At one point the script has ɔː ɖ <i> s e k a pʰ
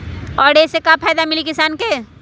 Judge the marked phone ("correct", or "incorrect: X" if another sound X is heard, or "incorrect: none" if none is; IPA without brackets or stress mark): incorrect: e